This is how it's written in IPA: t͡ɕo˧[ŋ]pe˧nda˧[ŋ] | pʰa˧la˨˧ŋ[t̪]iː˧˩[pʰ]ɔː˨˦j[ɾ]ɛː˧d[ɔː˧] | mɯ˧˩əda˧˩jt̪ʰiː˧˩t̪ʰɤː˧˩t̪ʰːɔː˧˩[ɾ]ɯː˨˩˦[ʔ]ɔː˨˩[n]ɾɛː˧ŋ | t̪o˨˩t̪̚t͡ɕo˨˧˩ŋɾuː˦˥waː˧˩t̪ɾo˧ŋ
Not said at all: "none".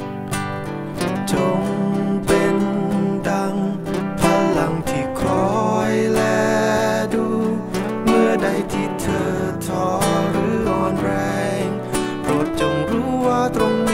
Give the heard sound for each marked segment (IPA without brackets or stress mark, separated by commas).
ŋ, ŋ, t̪ʰ, kʰ, l, uː˧, ɾ, ʔ, n